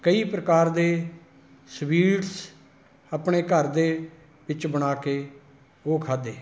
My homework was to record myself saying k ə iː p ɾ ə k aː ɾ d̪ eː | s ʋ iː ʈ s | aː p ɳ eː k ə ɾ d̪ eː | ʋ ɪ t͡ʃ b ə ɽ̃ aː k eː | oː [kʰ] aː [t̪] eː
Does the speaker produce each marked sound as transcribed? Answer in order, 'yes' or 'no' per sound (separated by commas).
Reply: yes, no